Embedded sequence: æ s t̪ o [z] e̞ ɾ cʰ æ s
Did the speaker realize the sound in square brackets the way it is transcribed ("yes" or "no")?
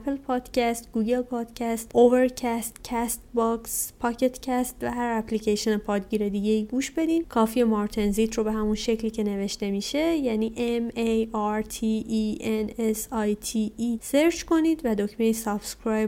no